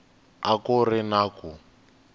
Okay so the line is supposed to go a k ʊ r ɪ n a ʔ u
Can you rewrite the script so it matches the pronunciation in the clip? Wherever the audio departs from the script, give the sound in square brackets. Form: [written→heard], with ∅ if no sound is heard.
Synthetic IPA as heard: a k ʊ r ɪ n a [ʔ→k] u